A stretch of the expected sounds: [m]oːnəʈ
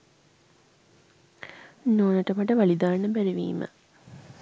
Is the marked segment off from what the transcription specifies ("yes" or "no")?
yes